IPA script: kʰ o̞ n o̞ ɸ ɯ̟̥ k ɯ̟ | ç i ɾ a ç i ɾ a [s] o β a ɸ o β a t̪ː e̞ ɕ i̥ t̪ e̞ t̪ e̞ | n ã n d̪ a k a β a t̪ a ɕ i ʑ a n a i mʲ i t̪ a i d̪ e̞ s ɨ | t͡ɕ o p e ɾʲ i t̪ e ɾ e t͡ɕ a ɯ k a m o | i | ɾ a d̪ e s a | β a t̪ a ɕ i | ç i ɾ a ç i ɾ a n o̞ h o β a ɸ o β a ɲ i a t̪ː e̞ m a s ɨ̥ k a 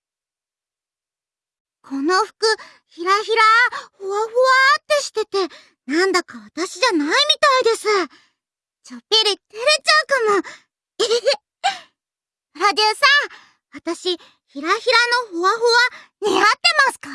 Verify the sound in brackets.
incorrect: h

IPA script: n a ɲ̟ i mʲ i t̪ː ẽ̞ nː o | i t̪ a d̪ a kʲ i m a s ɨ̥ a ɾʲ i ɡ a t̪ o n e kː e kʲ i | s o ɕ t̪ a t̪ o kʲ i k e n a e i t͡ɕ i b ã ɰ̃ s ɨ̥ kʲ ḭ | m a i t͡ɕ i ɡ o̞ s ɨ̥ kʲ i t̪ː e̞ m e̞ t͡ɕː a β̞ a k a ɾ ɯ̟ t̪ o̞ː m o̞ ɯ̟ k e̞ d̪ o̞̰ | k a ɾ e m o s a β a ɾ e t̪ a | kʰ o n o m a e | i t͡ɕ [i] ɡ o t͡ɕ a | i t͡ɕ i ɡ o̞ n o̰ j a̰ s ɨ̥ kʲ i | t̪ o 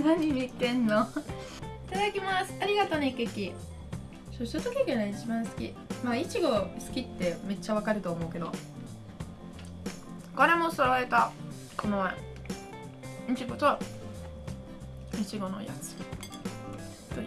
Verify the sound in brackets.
correct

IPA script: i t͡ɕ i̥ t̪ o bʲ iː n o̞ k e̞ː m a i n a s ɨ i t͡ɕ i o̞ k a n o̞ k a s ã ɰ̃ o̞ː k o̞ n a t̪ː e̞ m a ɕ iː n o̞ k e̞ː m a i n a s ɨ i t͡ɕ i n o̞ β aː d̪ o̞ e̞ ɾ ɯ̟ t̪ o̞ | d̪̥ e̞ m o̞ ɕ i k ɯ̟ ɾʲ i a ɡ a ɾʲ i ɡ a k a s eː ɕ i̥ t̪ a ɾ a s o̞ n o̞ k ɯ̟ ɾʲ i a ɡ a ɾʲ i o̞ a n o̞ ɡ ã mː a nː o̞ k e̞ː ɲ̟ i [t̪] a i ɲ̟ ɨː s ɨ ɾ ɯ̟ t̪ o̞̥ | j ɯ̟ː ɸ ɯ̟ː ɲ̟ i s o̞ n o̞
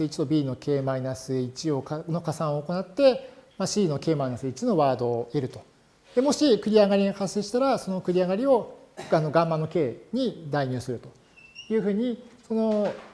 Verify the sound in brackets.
incorrect: d̪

